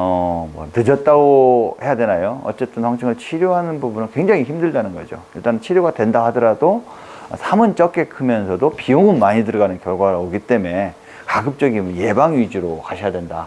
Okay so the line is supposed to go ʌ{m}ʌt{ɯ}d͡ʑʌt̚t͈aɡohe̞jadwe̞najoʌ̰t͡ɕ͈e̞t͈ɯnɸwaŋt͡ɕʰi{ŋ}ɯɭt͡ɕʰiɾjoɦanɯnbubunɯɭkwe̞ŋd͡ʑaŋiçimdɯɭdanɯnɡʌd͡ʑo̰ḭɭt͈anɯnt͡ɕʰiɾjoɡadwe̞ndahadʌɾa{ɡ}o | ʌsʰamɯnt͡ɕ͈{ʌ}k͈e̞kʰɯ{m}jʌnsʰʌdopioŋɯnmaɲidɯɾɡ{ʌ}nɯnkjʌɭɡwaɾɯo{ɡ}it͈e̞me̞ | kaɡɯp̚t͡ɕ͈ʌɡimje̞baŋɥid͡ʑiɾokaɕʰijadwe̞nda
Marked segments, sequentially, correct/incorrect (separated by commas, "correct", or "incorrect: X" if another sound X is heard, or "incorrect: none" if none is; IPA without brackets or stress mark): correct, correct, correct, incorrect: d, correct, correct, incorrect: a, correct